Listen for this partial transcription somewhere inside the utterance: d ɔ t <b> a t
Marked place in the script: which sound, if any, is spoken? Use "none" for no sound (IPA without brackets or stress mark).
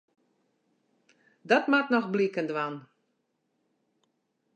m